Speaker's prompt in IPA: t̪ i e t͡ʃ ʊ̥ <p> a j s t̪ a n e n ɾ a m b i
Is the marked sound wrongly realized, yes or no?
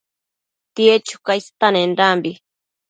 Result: yes